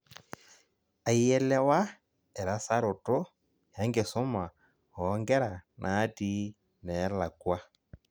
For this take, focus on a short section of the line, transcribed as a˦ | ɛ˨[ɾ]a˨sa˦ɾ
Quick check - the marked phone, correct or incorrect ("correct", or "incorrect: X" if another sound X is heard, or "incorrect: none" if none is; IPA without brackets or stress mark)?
correct